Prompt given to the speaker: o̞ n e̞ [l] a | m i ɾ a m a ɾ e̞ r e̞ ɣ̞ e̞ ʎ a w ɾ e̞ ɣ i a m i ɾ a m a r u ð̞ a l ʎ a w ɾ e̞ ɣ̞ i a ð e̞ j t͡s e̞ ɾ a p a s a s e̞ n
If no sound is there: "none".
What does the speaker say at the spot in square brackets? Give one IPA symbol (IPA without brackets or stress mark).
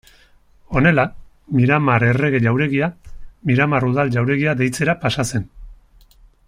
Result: l